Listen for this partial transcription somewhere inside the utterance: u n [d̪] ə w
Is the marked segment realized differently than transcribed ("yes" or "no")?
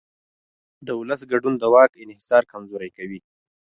no